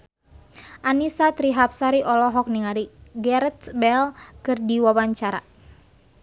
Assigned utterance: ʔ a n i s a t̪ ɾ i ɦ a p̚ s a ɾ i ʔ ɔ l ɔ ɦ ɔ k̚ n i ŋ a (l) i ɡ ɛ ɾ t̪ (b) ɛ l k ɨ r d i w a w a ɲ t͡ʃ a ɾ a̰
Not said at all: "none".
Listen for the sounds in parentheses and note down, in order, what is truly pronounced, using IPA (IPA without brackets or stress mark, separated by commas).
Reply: ɾ, b